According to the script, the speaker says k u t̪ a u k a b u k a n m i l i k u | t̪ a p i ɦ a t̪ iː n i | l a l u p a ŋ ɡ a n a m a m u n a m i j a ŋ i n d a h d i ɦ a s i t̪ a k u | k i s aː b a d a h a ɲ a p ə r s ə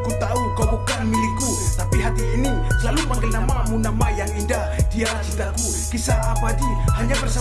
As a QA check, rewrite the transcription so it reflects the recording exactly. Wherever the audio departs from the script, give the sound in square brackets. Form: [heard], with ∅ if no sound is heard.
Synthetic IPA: k u t̪ a u k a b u k a n m i l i k u | t̪ a p i ɦ a t̪ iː n i | l a l u p a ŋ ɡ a n a m a m u n a m [a] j a ŋ i n d a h d i [∅] a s i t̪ a k u | k i s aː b a d [i] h a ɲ a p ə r s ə